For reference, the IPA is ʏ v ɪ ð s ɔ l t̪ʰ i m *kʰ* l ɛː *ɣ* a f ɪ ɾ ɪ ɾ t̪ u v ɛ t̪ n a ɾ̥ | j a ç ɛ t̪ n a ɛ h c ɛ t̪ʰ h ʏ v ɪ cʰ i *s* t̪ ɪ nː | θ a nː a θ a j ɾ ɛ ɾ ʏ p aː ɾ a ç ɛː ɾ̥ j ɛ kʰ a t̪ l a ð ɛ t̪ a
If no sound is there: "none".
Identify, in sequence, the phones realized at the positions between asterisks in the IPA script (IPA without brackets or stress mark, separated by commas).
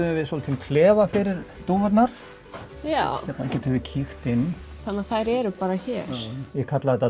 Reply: kʰ, v, x